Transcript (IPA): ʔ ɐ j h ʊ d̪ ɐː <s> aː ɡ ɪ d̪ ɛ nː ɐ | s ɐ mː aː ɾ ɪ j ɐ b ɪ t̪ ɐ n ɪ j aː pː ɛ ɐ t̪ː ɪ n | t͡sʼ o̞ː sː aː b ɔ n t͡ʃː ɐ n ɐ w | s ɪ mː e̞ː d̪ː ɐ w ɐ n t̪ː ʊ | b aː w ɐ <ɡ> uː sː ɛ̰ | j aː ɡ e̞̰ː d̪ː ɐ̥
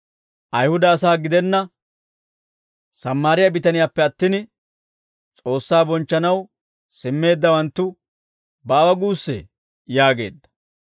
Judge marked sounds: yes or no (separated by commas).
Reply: yes, yes